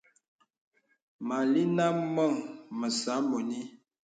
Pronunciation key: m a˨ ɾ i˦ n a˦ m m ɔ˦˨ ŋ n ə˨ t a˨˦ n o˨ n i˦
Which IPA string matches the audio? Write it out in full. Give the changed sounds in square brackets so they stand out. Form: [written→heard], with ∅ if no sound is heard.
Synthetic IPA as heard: m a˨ [ɾ→l] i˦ n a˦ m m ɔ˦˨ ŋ [n→m] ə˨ [t→s] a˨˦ [n→m] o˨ n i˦